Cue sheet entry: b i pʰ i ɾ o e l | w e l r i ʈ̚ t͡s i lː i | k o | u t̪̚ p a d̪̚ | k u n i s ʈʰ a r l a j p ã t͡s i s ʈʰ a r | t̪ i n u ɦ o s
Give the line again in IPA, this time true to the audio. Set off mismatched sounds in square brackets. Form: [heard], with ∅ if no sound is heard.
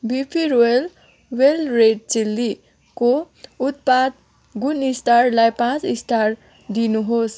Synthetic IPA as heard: b i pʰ i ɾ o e l | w e l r [e] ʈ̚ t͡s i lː i | k o | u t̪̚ p a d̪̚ | [ɡ] u n i s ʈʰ a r l a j p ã t͡s i s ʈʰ a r | [d̪] i n u ɦ o s